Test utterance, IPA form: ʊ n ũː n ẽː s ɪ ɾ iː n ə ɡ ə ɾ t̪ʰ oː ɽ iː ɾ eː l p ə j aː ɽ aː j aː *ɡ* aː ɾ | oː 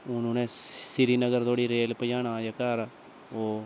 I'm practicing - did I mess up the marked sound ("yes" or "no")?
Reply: yes